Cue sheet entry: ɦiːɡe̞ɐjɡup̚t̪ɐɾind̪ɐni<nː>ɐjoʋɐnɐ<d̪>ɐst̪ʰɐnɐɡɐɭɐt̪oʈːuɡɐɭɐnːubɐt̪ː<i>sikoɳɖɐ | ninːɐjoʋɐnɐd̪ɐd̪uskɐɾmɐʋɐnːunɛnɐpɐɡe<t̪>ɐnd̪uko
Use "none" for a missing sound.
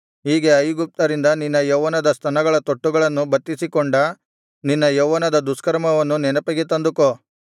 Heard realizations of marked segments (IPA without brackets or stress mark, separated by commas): nː, d̪, i, t̪